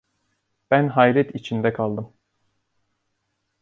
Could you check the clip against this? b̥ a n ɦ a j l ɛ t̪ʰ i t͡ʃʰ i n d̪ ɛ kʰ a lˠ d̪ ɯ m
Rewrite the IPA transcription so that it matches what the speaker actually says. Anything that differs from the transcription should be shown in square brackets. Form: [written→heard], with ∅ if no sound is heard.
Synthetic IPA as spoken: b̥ [a→æ] n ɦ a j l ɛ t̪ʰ i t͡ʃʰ i n d̪ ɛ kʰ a lˠ d̪ ɯ m

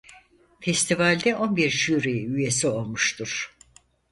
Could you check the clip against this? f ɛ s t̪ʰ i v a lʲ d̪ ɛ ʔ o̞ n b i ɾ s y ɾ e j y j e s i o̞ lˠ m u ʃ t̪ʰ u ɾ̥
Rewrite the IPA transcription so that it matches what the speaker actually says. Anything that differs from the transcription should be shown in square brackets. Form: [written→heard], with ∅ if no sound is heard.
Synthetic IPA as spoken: f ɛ s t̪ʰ i v a lʲ d̪ ɛ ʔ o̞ n b i ɾ [s→ʃ] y ɾ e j y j e s i o̞ lˠ m u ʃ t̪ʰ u ɾ̥

